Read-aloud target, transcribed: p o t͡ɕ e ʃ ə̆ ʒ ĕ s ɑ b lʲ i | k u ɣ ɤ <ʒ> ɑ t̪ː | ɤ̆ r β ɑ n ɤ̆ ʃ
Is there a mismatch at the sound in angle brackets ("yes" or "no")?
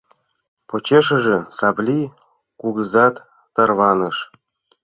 yes